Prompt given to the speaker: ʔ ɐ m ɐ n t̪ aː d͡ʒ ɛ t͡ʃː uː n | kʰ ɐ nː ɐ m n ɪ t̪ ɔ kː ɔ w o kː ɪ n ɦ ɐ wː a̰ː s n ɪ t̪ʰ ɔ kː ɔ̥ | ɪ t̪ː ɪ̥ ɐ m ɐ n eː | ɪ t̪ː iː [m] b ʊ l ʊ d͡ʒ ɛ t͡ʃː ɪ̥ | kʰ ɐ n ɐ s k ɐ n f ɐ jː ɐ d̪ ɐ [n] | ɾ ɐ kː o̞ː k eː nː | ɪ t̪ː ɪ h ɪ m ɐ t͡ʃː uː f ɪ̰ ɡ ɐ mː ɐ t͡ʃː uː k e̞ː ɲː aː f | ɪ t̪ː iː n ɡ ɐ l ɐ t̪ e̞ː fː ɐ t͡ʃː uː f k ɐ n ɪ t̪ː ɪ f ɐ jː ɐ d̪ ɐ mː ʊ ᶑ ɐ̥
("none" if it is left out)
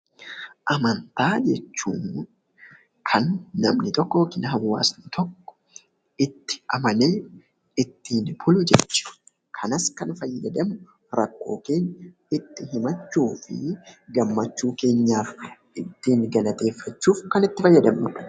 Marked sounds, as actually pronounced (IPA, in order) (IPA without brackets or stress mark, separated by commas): n, m